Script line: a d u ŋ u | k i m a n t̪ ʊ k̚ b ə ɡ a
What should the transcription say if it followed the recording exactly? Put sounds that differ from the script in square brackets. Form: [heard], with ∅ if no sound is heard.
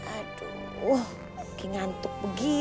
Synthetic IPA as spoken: a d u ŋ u | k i [ŋ] a n t̪ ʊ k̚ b ə ɡ [i]